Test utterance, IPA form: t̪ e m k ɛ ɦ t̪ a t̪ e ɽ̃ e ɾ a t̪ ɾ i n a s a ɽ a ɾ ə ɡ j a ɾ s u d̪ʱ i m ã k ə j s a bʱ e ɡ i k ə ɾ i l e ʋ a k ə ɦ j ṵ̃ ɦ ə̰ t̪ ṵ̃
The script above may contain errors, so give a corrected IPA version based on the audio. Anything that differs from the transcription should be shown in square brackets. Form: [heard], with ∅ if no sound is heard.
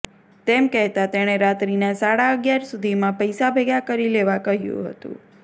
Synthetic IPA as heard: t̪ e m k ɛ ɦ t̪ a t̪ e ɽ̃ e ɾ a t̪ ɾ i n a s a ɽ a [∅] ə ɡ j a ɾ s u d̪ʱ i m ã [p] ə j s a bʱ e ɡ [a] k ə ɾ i l e ʋ a k ə ɦ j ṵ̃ ɦ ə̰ t̪ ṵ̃